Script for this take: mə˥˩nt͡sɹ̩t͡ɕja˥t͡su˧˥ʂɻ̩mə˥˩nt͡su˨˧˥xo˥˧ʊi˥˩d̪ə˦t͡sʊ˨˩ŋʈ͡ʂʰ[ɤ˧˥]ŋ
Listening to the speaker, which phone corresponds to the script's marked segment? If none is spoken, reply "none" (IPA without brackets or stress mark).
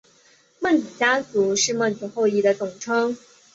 ɤ˥